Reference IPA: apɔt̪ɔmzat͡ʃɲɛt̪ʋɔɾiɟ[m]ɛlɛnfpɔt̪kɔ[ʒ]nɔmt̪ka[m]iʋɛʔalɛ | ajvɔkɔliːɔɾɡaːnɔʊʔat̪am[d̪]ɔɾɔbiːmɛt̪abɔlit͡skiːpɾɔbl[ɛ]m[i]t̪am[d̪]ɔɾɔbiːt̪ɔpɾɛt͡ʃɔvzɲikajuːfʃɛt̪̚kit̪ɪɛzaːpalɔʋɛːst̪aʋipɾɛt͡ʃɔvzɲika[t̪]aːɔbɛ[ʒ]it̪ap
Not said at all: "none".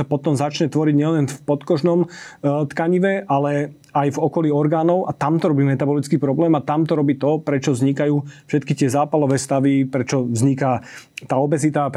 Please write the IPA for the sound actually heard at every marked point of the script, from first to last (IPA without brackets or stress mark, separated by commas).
ɲ, ʒ, ɲ, t̪, ɛː, a, t̪, t̪, z